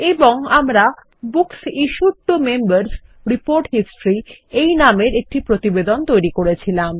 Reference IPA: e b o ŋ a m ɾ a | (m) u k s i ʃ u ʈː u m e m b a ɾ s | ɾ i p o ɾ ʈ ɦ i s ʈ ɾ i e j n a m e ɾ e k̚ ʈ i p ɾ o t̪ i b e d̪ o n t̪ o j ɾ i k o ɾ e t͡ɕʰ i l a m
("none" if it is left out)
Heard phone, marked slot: b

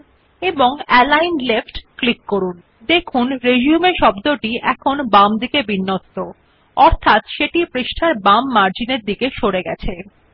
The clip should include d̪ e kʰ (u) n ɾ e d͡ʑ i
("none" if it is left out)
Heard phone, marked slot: u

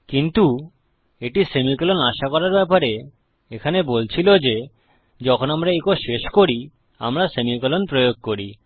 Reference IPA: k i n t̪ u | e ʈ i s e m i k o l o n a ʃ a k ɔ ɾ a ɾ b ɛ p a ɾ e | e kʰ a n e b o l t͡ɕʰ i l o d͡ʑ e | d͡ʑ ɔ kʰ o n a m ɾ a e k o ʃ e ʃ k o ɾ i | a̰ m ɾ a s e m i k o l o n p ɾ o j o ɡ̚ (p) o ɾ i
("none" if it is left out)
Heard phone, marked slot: k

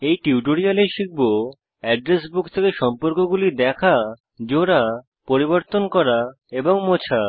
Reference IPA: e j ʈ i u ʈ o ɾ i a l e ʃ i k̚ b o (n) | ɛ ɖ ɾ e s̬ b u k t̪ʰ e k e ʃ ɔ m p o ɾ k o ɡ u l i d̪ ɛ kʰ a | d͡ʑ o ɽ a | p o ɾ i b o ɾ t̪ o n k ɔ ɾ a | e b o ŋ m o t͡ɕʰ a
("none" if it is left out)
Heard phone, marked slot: none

